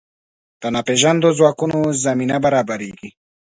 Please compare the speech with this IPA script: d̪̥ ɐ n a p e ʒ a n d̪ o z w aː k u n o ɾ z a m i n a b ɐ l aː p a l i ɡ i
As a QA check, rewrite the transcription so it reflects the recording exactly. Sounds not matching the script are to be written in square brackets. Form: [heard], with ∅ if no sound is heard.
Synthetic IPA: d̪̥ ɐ n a p e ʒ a n d̪ o z w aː k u n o [∅] z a m i n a b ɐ [ɾ] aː [b] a [ɾ] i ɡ i